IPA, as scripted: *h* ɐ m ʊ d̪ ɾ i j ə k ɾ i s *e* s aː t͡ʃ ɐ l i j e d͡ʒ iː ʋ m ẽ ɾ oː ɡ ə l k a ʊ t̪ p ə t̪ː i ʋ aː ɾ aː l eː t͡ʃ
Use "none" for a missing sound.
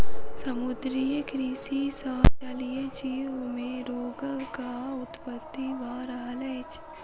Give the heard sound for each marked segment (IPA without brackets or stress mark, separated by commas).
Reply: s, i